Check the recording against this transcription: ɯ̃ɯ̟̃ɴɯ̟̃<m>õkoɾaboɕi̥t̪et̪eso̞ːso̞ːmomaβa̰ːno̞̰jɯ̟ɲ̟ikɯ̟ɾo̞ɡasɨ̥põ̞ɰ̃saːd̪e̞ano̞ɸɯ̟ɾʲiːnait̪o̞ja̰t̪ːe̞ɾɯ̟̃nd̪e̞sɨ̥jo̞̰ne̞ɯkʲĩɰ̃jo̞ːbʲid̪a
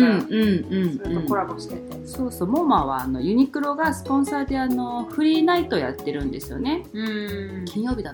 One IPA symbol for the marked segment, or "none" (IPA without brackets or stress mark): ɴ